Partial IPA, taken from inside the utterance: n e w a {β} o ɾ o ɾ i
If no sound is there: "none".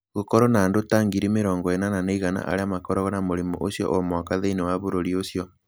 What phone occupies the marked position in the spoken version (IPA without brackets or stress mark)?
β